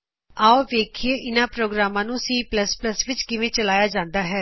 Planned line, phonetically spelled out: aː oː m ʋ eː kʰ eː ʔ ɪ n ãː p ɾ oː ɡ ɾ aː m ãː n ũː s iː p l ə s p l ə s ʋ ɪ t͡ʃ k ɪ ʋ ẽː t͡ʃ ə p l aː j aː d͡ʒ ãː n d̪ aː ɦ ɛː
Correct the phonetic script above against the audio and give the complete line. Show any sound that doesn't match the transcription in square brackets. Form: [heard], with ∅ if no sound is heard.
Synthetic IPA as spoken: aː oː [∅] ʋ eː kʰ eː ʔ ɪ n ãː p ɾ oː ɡ ɾ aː m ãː n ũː s iː p l ə s p l ə s ʋ ɪ t͡ʃ k ɪ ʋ ẽː t͡ʃ ə [∅] l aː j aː d͡ʒ ãː n d̪ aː ɦ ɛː